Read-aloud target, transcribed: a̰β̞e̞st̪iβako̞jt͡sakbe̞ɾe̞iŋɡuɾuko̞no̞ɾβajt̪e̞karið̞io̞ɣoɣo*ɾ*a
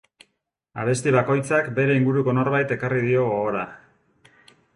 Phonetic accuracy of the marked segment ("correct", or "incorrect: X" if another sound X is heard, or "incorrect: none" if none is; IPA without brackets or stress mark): correct